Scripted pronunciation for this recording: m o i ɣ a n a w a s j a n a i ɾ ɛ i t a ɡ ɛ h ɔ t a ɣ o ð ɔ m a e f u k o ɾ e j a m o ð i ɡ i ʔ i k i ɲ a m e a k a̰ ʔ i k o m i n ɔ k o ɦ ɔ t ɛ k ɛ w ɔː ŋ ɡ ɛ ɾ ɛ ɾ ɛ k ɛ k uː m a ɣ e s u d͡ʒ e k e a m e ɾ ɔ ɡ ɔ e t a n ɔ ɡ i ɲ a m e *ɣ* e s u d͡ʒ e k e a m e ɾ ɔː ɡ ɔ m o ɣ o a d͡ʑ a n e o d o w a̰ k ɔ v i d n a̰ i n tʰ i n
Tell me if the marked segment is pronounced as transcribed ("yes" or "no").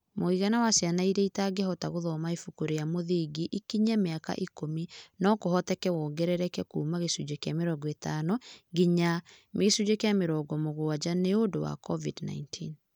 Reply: yes